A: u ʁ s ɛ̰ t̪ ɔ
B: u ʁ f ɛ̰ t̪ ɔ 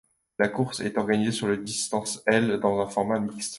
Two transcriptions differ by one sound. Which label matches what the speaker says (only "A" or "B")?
A